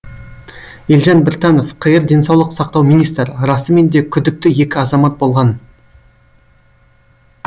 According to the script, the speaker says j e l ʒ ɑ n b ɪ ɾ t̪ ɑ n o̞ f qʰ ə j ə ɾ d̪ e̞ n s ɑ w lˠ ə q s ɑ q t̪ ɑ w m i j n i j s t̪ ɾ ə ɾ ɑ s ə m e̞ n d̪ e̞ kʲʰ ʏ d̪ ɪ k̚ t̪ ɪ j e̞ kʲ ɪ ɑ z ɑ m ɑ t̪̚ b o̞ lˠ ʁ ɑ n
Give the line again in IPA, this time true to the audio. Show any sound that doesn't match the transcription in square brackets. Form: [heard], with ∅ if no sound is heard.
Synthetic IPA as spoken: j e l ʒ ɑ n b ɪ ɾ t̪ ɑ n o̞ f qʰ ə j ə ɾ d̪ e̞ n s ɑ w lˠ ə q s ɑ q t̪ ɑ w m i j n i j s t̪ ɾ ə ɾ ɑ s ə m e̞ n d̪ e̞ kʲʰ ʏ d̪ ɪ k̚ t̪ ɪ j e̞ kʲ ɪ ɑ z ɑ m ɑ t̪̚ b o̞ lˠ ʁ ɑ n